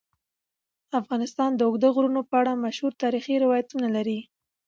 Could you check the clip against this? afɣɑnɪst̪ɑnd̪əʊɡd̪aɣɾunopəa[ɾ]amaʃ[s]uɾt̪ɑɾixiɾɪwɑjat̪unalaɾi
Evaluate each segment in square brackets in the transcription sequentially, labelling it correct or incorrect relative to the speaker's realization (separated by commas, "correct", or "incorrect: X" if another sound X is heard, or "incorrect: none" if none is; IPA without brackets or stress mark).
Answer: incorrect: ɽ, incorrect: h